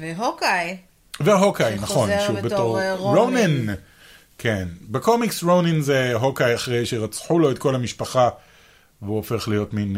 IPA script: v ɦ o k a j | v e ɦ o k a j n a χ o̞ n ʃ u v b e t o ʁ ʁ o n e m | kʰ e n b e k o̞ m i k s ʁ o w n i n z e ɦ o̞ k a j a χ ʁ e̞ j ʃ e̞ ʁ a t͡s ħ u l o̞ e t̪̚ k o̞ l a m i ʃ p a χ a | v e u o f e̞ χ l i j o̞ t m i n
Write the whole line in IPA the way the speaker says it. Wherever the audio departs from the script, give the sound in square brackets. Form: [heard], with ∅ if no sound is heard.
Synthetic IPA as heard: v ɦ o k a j | v e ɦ o k a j n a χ o̞ n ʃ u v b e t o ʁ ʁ o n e [n] | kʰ e n b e k o̞ m i k s ʁ o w n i n z e ɦ o̞ k a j a χ ʁ e̞ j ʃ e̞ ʁ a t͡s ħ u l o̞ e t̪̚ k o̞ l a m i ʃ p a χ a | v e u o f e̞ χ l i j o̞ t m i n